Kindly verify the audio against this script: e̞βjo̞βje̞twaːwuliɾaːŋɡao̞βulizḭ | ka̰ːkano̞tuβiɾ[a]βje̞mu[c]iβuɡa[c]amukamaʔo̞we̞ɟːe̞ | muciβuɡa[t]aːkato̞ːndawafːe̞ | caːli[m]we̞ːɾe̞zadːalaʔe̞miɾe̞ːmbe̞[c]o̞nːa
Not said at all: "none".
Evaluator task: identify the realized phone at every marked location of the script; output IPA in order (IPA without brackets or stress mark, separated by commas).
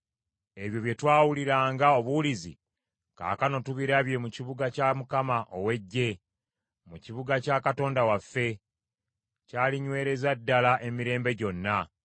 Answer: a, c, c, c, ɲ, ɟ